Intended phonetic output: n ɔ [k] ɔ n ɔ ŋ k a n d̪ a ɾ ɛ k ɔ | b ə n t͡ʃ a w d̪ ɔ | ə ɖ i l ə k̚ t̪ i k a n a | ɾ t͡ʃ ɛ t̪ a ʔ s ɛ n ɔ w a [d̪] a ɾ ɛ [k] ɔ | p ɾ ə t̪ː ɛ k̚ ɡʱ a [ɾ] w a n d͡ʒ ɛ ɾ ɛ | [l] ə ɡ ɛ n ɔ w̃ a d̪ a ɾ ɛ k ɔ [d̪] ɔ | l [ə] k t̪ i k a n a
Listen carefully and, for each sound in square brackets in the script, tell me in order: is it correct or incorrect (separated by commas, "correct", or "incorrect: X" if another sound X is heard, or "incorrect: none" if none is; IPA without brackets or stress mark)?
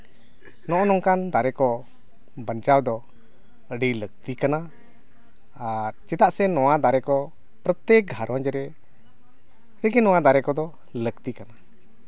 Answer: incorrect: ʔ, correct, correct, correct, incorrect: ɾ, correct, correct